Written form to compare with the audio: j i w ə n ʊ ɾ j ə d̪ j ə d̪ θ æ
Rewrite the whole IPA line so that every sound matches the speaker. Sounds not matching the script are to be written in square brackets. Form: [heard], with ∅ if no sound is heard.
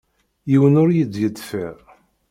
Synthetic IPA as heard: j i w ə n ʊ ɾ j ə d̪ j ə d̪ [f] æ